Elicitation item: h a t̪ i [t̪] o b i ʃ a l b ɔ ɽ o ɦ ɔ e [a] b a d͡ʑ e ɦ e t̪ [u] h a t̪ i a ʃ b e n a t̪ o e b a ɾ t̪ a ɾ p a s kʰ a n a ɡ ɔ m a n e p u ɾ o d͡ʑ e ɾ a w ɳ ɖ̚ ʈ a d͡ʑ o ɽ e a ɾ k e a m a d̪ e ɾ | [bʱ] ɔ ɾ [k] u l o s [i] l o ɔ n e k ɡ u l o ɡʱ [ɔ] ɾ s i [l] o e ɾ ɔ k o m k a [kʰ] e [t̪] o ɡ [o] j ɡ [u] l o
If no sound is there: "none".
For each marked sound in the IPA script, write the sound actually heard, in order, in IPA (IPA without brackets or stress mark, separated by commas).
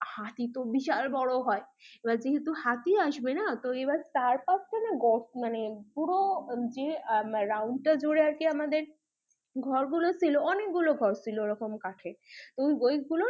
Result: t̪, e, u, ɡʱ, ɡ, i, ɔ, l, ʈʰ, t̪, o, u